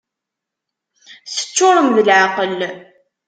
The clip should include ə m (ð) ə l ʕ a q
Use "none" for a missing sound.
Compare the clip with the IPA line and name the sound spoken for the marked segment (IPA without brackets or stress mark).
ð